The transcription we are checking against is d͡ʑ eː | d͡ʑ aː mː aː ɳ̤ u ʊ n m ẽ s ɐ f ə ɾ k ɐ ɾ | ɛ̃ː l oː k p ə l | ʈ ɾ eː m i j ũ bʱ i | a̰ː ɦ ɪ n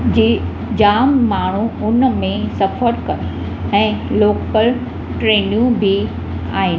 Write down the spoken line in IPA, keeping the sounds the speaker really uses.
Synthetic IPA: d͡ʑ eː | d͡ʑ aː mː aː ɳ̤ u ʊ n m ẽ s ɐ f ə ɾ k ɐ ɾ | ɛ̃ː l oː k p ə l | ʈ ɾ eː n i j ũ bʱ i | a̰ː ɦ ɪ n